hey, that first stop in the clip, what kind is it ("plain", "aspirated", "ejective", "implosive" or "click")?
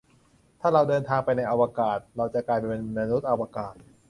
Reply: aspirated